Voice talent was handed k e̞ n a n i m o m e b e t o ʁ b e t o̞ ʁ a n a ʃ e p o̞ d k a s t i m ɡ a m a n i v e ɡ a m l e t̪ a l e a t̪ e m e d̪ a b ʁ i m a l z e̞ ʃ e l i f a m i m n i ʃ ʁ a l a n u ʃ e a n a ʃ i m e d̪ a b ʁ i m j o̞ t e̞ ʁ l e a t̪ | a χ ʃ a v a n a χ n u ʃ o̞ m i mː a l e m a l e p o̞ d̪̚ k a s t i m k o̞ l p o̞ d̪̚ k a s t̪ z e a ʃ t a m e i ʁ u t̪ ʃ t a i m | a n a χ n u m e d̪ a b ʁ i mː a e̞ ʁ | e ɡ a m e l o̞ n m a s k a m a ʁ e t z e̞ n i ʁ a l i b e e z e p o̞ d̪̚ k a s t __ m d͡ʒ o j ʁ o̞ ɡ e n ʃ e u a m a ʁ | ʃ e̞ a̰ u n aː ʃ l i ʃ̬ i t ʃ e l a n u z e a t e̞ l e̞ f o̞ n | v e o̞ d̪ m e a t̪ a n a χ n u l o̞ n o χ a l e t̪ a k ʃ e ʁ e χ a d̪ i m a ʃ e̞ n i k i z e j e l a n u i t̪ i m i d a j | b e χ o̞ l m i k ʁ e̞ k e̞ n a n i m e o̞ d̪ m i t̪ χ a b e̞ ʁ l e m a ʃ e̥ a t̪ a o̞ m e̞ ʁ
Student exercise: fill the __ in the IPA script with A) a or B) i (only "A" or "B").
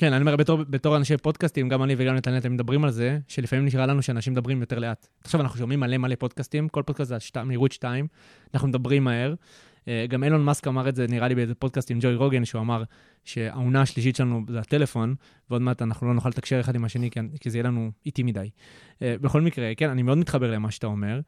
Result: B